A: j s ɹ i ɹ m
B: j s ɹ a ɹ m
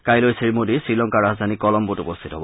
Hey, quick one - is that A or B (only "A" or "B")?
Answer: A